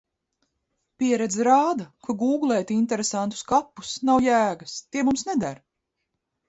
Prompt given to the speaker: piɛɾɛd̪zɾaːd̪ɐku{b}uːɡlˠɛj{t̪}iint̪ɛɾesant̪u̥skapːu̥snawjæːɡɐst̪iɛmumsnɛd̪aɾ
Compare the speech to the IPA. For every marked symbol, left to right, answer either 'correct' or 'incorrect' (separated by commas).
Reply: incorrect, correct